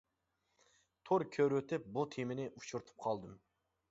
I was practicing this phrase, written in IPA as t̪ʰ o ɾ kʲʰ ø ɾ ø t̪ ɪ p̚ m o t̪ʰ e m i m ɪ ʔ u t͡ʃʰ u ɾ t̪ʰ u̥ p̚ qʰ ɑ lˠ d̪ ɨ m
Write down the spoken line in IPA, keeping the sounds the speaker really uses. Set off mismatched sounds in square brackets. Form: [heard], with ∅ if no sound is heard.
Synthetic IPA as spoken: t̪ʰ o ɾ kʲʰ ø ɾ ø t̪ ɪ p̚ [b] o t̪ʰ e m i [n] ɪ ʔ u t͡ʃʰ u ɾ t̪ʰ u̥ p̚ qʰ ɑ lˠ d̪ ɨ m